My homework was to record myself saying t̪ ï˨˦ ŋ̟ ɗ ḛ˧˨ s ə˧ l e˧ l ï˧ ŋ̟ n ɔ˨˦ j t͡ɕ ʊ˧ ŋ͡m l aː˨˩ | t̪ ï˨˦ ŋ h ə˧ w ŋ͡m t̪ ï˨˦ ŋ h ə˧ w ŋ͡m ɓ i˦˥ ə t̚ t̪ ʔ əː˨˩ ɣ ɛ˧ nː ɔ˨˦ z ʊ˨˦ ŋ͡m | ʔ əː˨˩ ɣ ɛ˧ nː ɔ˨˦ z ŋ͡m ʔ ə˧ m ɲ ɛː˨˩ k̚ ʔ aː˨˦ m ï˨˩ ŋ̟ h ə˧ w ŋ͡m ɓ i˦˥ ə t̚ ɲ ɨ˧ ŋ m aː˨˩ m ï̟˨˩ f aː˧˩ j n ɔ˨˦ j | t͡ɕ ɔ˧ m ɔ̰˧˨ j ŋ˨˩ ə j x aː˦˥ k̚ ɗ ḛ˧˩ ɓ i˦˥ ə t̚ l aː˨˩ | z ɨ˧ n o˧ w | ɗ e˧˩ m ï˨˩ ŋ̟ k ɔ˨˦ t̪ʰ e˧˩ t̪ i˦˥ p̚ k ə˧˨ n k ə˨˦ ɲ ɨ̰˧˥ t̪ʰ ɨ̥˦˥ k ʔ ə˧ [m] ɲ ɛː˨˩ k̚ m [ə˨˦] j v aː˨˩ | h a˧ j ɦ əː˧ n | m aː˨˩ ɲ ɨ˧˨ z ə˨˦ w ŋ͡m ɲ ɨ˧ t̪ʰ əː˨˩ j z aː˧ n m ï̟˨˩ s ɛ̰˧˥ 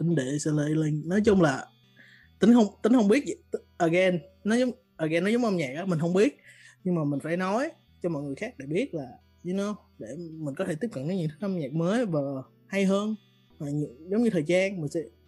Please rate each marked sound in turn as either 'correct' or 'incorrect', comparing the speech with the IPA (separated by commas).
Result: correct, incorrect